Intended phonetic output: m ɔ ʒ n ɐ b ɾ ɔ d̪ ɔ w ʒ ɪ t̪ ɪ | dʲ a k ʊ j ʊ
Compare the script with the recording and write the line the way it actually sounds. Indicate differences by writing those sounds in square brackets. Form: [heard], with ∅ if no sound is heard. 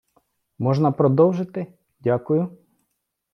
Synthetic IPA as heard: m ɔ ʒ n ɐ [p] ɾ ɔ d̪ ɔ w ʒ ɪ t̪ ɪ | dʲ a k ʊ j ʊ